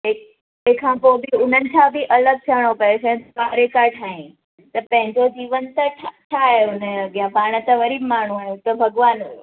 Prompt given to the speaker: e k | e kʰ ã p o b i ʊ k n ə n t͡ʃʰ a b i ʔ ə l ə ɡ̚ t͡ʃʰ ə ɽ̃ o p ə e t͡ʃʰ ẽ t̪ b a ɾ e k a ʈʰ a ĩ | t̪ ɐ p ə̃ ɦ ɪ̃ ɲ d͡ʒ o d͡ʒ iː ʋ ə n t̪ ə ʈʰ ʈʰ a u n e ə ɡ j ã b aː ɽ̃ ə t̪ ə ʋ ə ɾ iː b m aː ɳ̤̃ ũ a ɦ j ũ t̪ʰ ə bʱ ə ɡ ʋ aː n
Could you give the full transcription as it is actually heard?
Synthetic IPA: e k | e kʰ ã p o b i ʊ n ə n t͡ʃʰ a b i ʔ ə l ə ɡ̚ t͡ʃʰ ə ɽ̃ o p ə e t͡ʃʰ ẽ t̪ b a ɾ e k a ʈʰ a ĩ | t̪ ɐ p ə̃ ɦ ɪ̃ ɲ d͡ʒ o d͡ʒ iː ʋ ə n t̪ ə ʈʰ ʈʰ a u n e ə ɡ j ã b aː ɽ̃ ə t̪ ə ʋ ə ɾ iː b m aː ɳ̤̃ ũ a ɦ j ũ t̪ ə bʱ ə ɡ ʋ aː n

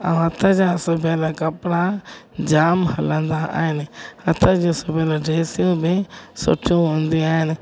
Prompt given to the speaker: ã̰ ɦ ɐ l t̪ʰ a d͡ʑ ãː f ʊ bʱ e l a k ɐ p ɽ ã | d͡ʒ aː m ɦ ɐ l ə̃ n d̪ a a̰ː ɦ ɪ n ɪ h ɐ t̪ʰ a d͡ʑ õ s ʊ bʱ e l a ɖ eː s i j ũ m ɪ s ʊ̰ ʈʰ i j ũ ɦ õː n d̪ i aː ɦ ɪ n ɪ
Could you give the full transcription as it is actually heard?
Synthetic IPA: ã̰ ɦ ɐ t̪ʰ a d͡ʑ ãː s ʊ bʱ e l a k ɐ p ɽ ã | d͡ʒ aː m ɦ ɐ l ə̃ n d̪ a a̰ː ɦ ɪ n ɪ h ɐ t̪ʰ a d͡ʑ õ s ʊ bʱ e l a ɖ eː s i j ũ b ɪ s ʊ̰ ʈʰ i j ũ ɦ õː n d̪ i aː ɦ ɪ n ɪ

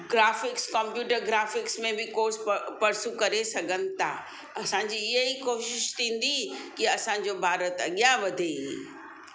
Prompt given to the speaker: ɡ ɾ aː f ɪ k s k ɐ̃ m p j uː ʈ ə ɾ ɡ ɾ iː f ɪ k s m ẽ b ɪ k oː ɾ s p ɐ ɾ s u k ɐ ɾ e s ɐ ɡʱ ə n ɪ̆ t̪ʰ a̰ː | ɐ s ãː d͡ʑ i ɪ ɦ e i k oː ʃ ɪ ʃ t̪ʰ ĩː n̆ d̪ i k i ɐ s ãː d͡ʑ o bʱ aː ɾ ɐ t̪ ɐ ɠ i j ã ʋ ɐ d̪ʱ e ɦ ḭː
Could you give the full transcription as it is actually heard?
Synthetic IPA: ɡ ɾ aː f ɪ k s k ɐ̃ m p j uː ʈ ə ɾ ɡ ɾ aː f ɪ k s m ẽ b ɪ k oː ɾ s p ɐ ɾ s u k ɐ ɾ e s ɐ ɡʱ ə n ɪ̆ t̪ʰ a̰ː | ɐ s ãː d͡ʑ i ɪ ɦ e i k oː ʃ ɪ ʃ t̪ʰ ĩː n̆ d̪ i k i ɐ s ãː d͡ʑ o bʱ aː ɾ ə t̪ ɐ ɠ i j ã ʋ ɐ d̪ʱ e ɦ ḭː

